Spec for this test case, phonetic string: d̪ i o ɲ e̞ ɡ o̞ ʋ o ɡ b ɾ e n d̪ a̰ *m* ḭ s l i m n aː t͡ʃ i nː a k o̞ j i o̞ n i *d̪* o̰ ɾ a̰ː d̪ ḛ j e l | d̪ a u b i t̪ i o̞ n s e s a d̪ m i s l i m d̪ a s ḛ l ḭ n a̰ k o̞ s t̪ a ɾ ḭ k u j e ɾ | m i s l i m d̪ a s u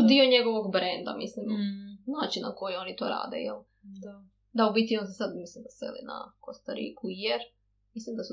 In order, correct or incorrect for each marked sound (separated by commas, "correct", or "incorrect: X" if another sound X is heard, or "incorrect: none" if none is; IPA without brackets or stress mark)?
correct, incorrect: t̪